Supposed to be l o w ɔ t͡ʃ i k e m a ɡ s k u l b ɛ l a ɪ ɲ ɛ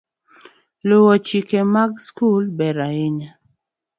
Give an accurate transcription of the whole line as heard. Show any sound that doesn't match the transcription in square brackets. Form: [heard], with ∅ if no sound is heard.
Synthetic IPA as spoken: l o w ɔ t͡ʃ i k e m a ɡ s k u l b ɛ [ɾ] a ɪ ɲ [a]